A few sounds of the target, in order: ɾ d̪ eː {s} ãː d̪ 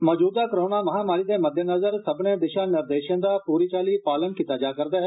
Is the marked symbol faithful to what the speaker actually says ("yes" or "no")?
no